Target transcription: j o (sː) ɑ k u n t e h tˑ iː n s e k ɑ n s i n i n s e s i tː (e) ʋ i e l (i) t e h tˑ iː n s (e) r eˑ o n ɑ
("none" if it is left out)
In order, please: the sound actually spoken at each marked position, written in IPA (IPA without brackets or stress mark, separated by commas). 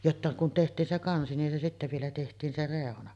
tː, æ, æ, e